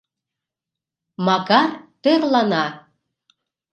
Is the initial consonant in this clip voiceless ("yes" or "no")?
no